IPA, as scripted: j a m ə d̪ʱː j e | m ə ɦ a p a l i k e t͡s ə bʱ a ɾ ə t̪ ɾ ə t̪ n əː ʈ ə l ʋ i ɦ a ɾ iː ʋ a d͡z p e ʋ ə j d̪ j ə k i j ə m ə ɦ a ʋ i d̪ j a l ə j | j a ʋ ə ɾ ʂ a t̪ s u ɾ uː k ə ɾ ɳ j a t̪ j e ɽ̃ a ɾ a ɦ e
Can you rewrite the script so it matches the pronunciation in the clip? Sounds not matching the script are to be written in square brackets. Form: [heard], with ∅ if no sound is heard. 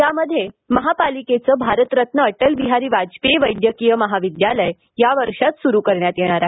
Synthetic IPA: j a m ə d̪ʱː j e | m ə ɦ a p a l i k e t͡s ə bʱ a ɾ ə t̪ ɾ ə t̪ n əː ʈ ə l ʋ i ɦ a ɾ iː ʋ a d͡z p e ʋ ə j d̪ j ə k i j ə m ə ɦ a ʋ i d̪ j a l ə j | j a ʋ ə ɾ ʂ a t̪ s u ɾ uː k ə ɾ ɳ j a t̪ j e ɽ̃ a ɾ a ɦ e